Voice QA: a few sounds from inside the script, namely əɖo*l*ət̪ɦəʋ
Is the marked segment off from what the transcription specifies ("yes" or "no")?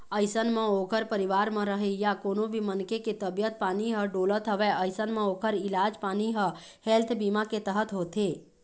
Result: no